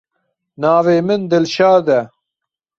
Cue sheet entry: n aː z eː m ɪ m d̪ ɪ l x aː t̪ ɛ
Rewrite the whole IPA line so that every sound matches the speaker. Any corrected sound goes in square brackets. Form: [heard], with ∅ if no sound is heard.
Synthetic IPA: n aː [v] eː m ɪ [n] d̪ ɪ l [ʃ] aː [d̪] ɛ

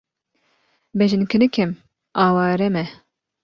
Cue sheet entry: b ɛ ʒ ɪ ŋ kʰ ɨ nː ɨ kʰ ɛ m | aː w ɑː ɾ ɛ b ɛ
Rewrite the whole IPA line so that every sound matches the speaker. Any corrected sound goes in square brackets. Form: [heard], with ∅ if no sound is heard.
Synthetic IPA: b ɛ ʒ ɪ [n] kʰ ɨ [n] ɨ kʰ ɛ m | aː w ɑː ɾ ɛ [m] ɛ

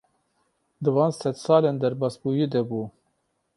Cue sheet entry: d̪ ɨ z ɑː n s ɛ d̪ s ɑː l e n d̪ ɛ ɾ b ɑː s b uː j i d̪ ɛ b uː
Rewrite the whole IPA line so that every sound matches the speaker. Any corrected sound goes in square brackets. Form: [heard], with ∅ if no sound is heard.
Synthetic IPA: d̪ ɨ [v] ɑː n s ɛ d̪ s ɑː l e n d̪ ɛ ɾ b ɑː s b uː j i d̪ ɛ b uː

